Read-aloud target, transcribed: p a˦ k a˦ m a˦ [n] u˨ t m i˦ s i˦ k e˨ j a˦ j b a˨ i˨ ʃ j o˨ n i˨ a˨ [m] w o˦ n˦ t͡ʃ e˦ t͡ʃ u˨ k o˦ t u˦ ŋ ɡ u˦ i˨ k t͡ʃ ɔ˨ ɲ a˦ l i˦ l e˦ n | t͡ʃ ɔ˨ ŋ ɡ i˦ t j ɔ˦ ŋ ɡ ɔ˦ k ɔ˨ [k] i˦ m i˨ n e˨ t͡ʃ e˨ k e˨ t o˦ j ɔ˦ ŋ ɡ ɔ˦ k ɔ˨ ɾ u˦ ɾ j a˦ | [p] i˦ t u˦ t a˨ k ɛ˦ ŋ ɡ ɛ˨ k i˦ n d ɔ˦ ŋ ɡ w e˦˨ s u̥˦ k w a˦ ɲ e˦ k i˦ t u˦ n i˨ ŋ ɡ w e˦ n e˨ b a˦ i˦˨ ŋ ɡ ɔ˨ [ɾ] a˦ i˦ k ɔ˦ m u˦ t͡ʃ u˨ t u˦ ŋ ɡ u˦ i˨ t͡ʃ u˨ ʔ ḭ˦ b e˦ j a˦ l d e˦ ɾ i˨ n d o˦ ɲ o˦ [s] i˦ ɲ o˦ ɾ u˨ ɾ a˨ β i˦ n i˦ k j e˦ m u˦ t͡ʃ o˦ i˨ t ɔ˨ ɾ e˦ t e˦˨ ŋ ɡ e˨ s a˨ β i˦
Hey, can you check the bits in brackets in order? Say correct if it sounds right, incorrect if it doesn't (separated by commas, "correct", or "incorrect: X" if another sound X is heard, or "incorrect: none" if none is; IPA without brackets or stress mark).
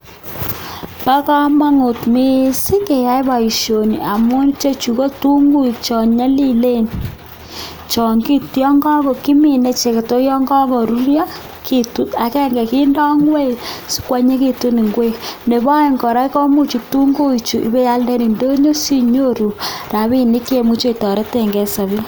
incorrect: ŋ, correct, correct, incorrect: k, correct, correct